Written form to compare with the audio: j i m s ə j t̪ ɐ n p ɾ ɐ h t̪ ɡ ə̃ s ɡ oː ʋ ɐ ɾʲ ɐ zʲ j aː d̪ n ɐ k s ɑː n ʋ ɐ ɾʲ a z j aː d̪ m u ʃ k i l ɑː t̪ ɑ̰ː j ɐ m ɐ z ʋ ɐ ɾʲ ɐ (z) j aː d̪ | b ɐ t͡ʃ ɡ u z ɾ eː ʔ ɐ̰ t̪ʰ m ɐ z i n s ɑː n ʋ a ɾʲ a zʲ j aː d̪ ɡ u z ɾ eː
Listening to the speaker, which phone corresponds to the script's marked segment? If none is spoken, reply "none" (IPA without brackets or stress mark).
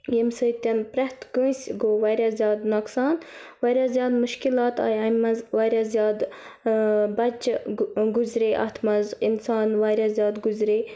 z